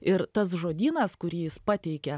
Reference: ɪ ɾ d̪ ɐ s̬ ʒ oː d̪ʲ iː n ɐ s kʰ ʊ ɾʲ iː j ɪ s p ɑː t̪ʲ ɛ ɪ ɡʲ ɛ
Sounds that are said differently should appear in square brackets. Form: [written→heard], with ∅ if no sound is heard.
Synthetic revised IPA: ɪ ɾ [d̪→t̪] ɐ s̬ ʒ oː d̪ʲ iː n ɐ s [kʰ→k] ʊ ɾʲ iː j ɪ s p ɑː t̪ʲ ɛ ɪ [ɡʲ→kʲ] ɛ

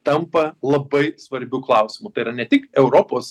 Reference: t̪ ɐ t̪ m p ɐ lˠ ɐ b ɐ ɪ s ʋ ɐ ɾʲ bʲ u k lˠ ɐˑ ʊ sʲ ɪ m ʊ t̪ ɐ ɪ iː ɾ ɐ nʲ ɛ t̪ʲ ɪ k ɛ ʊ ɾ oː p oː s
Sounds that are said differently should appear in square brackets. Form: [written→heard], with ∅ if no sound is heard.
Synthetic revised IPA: t̪ ɐ [t̪→∅] m p ɐ lˠ ɐ b ɐ ɪ s ʋ ɐ ɾʲ bʲ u k lˠ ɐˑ ʊ sʲ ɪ m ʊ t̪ ɐ ɪ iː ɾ ɐ nʲ ɛ t̪ʲ ɪ k ɛ ʊ ɾ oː p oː s

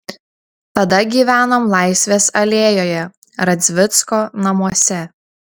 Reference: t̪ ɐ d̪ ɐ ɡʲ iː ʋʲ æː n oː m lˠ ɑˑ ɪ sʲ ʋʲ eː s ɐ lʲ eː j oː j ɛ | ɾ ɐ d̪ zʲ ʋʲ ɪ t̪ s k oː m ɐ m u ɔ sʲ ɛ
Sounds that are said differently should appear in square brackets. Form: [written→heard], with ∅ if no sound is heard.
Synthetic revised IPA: t̪ ɐ d̪ ɐ ɡʲ iː ʋʲ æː n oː m lˠ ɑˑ ɪ sʲ ʋʲ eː s ɐ lʲ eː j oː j ɛ | ɾ ɐ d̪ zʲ ʋʲ ɪ t̪ s k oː [m→n] ɐ m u ɔ sʲ ɛ

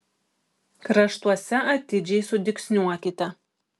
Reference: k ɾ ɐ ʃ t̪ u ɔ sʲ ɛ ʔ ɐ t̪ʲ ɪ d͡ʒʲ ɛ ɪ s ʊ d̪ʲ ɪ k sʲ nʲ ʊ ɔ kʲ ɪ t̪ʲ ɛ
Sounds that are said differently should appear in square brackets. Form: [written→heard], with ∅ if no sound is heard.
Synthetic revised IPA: k ɾ ɐ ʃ t̪ u ɔ sʲ ɛ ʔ ɐ t̪ʲ ɪ d͡ʒʲ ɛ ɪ s ʊ d̪ʲ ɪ k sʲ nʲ [ʊ→u] ɔ kʲ ɪ t̪ʲ ɛ

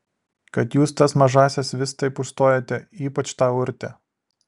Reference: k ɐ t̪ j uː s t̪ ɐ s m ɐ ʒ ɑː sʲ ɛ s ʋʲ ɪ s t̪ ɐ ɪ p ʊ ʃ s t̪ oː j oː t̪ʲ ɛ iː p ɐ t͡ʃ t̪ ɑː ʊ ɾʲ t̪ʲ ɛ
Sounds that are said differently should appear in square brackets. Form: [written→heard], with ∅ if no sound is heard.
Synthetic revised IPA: k ɐ t̪ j uː s t̪ ɐ s m ɐ ʒ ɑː sʲ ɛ s ʋʲ ɪ s t̪ ɐ ɪ p ʊ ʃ s t̪ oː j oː t̪ʲ ɛ iː p ɐ t͡ʃ t̪ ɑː ʊ ɾʲ t̪ʲ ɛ

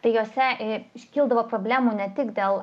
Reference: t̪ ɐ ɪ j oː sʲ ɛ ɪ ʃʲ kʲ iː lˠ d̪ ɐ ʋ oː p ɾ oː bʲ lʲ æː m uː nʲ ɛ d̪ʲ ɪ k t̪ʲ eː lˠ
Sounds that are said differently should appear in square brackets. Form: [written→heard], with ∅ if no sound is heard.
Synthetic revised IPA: t̪ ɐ ɪ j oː sʲ ɛ ɪ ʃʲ kʲ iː lˠ d̪ ɐ ʋ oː p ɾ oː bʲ lʲ æː m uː nʲ ɛ [d̪ʲ→t̪ʲ] ɪ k [t̪ʲ→d̪ʲ] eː lˠ

